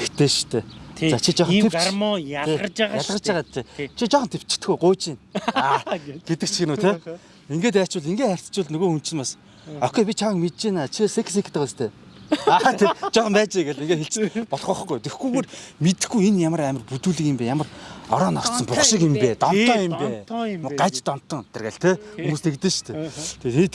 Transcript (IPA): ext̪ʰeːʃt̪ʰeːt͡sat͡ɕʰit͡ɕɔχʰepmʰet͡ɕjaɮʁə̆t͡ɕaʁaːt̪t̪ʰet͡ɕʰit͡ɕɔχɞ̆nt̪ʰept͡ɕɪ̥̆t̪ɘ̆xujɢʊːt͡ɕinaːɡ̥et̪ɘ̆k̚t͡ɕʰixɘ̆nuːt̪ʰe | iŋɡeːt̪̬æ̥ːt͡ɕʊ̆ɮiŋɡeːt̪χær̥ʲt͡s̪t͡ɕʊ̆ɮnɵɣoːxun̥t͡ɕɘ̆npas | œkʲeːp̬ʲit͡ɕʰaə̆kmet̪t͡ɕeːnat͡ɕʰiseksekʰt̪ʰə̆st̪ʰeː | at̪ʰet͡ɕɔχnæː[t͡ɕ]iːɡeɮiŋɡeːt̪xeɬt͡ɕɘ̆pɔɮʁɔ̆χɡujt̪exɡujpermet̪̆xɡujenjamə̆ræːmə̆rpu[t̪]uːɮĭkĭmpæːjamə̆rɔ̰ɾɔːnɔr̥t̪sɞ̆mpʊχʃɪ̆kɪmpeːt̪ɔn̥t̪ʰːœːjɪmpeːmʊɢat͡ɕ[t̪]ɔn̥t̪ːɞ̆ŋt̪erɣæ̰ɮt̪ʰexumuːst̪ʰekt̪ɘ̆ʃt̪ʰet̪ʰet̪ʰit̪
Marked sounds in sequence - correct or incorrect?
correct, correct, correct

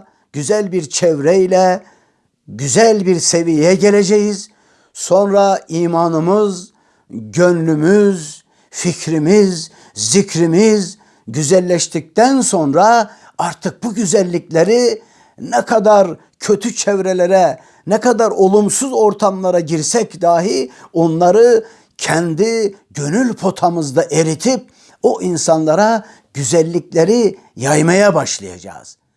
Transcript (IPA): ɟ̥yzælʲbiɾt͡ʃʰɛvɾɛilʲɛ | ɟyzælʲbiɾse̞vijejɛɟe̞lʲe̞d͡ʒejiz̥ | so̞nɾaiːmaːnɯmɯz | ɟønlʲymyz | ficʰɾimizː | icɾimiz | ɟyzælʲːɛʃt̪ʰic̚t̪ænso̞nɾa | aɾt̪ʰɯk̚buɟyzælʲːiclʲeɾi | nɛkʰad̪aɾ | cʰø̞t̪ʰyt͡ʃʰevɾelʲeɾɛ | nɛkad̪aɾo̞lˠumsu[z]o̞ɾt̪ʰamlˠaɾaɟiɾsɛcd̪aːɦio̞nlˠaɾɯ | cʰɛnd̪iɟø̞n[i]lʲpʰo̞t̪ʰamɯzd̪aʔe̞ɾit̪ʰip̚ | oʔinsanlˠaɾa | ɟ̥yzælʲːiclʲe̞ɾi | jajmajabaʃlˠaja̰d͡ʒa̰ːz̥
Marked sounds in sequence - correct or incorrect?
correct, incorrect

